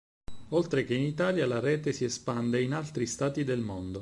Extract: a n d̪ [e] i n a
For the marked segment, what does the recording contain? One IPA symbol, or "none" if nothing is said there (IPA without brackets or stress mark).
e